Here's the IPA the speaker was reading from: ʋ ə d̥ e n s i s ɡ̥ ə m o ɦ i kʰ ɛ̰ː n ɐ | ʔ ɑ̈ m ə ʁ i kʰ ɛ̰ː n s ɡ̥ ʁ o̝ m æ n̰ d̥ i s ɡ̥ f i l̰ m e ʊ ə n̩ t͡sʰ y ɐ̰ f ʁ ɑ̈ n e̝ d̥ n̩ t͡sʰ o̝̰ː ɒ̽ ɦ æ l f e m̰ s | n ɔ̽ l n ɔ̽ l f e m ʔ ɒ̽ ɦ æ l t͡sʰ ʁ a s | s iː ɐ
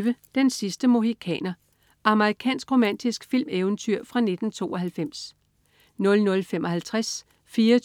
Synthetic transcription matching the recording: ʋ ə d̥ e n s i s d̥ ə m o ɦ i kʰ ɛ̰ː n ɐ | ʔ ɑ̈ m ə ʁ i kʰ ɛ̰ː n s ɡ̥ ʁ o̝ m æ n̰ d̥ i s ɡ̥ f i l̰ m e ʊ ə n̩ t͡sʰ y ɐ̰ f ʁ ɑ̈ n e̝ d̥ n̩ t͡sʰ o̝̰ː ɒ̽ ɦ æ l f e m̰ s | n ɔ̽ l n ɔ̽ l f e m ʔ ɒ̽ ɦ æ l t͡sʰ ʁ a s | f iː ɐ